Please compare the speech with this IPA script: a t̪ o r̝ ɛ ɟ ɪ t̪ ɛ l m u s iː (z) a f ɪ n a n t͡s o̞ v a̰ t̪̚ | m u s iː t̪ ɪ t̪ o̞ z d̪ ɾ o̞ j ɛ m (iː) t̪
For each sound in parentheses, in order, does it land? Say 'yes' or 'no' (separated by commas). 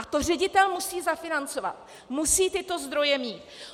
yes, yes